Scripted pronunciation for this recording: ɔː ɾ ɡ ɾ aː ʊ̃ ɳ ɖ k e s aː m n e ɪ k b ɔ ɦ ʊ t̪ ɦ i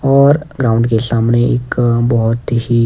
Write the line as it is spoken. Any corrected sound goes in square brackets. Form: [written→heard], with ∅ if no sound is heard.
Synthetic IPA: ɔː ɾ ɡ ɾ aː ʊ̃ ɳ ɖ k e s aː m n e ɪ k b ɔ ɦ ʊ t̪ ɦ i